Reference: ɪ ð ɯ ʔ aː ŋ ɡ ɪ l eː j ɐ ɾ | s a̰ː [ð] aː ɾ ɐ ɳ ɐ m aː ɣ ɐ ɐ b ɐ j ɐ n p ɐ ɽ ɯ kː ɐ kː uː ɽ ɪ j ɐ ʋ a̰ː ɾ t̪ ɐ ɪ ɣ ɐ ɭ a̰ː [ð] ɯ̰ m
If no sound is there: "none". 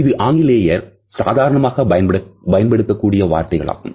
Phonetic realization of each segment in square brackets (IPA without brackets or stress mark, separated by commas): ð, ɣ